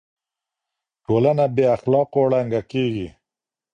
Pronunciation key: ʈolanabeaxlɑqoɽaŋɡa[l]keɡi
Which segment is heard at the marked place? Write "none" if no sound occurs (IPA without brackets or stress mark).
none